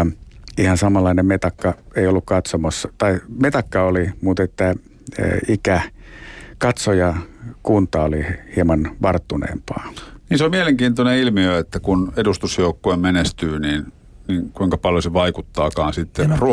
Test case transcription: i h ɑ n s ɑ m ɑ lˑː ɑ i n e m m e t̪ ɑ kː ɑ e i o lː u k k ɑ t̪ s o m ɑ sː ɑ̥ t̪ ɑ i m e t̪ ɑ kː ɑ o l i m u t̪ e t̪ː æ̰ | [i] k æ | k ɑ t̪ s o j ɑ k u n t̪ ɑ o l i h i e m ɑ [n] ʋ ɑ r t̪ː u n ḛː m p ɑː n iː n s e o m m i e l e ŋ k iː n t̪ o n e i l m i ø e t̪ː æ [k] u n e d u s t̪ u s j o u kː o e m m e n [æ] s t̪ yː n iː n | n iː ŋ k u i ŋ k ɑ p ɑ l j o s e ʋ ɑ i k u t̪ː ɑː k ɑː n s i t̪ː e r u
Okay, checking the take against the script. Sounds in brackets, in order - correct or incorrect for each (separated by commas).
correct, correct, correct, incorrect